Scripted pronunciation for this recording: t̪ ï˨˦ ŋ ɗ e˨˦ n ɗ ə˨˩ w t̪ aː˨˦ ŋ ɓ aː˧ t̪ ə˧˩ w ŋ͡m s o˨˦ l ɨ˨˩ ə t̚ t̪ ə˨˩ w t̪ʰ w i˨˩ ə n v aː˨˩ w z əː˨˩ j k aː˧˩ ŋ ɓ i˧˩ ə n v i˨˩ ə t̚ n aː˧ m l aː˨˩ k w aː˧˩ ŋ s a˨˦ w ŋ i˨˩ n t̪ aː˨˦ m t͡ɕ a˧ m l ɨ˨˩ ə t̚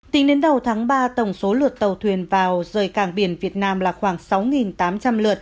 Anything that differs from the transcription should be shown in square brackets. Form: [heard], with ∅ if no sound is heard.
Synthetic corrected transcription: t̪ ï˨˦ ŋ ɗ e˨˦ n ɗ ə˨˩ w [t̪ʰ] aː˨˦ ŋ ɓ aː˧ t̪ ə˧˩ w ŋ͡m s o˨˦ l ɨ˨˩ ə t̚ t̪ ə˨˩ w t̪ʰ w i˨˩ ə n v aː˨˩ w z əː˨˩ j k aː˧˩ ŋ ɓ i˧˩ ə n v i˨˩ ə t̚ n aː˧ m l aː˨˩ [x] w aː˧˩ ŋ s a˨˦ w ŋ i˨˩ n t̪ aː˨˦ m t͡ɕ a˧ m l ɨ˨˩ ə t̚